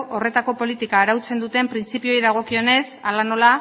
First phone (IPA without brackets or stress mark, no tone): o̞